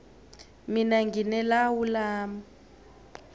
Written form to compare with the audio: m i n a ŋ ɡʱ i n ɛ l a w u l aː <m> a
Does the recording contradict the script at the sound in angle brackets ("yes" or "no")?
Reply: no